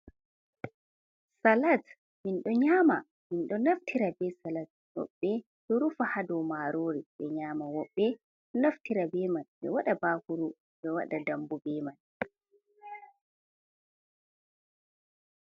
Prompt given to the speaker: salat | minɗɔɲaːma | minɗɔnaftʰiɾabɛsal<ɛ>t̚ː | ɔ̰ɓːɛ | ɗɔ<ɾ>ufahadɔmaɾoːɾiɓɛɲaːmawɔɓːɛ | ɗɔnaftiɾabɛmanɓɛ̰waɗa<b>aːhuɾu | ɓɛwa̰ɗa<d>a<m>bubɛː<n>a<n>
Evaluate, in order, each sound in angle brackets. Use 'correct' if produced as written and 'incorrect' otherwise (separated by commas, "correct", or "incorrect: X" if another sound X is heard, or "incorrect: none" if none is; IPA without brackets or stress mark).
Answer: incorrect: a, correct, correct, correct, correct, incorrect: m, correct